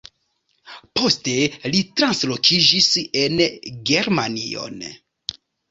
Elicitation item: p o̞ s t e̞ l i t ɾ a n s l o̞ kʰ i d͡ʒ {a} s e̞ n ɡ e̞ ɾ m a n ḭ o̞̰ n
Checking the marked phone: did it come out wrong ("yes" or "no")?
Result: yes